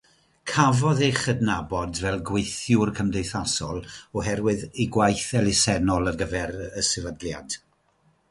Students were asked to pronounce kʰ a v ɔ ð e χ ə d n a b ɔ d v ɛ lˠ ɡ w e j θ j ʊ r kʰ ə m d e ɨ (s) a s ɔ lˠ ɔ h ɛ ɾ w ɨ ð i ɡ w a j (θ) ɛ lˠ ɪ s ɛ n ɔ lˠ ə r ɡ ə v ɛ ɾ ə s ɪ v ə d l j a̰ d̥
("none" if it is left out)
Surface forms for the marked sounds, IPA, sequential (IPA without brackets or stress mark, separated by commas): θ, θ